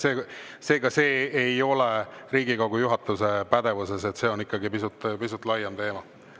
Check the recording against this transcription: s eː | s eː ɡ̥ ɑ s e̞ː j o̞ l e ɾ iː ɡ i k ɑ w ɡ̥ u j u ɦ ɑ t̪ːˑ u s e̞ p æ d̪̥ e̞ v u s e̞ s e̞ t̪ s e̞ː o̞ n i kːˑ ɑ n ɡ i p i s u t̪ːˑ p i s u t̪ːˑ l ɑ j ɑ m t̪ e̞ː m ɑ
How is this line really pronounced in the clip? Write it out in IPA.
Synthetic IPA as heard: s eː | s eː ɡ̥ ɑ s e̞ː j o̞ l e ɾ iː ɡ i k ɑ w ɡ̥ u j u ɦ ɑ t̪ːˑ u s e̞ p æ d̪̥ e̞ v u s e̞ s e̞ t̪ s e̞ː o̞ n i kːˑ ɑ ɡ i p i s u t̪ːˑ p i s u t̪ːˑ l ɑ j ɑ m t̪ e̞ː m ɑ